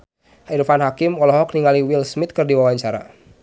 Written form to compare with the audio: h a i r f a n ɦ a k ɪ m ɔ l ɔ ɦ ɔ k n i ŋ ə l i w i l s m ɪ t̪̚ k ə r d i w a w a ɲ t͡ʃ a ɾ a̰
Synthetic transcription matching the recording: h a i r f a n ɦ a k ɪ m ɔ l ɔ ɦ ɔ k n i ŋ a l i w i l s m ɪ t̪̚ k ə r d i w a w a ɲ t͡ʃ a ɾ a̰